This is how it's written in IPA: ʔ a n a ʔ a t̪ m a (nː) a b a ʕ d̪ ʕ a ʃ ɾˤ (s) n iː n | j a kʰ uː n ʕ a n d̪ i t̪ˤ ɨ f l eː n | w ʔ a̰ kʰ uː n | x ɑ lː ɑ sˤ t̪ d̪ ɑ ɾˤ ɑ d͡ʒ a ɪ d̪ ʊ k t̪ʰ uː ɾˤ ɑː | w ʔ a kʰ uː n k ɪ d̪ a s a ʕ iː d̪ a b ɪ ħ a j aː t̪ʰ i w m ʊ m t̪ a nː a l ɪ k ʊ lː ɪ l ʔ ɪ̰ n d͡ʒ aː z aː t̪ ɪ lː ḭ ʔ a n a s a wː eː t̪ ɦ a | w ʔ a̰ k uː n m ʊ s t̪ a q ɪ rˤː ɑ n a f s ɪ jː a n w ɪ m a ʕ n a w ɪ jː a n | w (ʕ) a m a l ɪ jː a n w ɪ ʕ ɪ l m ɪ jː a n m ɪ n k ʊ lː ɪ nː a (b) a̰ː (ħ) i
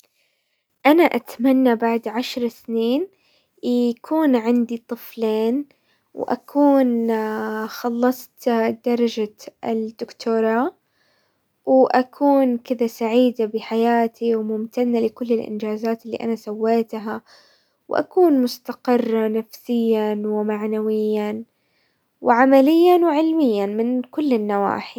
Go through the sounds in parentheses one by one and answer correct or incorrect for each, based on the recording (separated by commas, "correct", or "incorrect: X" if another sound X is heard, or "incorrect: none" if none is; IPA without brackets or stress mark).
correct, correct, correct, incorrect: w, correct